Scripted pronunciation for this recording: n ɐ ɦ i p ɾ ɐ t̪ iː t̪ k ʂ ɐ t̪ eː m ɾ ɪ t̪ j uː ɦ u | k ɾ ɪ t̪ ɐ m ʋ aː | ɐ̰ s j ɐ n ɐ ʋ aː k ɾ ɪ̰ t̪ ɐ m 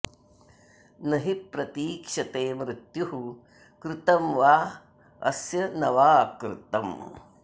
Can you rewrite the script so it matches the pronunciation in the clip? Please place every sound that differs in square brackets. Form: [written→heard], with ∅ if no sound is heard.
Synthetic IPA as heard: n ɐ ɦ i p ɾ ɐ t̪ iː [t̪→∅] k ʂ ɐ t̪ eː m ɾ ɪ t̪ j [uː→u] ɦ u | k ɾ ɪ t̪ ɐ m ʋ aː | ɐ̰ s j ɐ n ɐ ʋ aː k ɾ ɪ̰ t̪ ɐ m